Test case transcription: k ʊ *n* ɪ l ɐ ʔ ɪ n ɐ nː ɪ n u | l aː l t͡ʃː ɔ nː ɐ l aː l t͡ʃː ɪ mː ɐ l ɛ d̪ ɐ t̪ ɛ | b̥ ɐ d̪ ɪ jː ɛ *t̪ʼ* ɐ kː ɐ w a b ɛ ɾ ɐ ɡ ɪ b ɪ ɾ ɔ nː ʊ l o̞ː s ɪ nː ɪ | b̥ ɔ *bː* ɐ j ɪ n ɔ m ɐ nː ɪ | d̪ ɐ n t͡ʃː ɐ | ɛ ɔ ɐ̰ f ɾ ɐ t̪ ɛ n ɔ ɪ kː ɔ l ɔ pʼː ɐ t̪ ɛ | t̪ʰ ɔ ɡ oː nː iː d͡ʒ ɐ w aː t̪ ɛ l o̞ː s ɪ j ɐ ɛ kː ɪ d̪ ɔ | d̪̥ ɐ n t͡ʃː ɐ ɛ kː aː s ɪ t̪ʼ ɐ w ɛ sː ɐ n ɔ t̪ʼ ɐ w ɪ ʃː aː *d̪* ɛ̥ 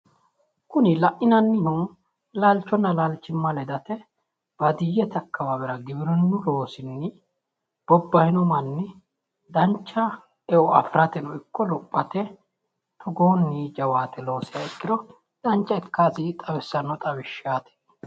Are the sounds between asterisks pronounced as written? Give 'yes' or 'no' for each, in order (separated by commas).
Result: yes, no, yes, no